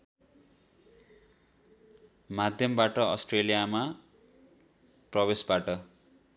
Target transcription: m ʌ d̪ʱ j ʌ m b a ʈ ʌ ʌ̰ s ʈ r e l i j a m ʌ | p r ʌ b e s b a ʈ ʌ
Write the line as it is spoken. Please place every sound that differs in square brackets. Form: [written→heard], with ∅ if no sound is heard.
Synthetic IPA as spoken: m [ʌ→a] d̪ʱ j ʌ m b a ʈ ʌ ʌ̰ s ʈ r e l i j a m [ʌ→a] | p r ʌ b e s b a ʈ ʌ